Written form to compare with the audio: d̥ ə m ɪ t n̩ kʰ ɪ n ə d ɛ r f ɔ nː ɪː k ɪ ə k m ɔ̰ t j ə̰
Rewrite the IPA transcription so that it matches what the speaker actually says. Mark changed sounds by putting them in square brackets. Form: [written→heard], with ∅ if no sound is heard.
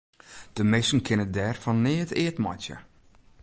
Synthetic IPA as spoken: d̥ ə m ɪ [t→s] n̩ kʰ ɪ n ə d ɛ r f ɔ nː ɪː [k→t] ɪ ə [k→t] m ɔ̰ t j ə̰